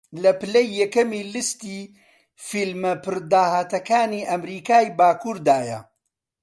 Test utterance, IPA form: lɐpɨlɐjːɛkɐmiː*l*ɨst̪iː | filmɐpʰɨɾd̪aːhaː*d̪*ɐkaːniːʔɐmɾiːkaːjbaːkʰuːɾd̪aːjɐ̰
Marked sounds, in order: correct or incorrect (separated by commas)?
correct, incorrect